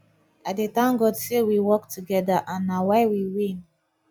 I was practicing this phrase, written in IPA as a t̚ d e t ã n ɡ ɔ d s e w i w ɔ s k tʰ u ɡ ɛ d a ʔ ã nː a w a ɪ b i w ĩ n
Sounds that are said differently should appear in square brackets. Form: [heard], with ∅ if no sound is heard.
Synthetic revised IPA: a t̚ d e t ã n ɡ ɔ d s e w i w ɔ [∅] k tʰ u ɡ ɛ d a ʔ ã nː a w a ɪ [w] i w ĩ n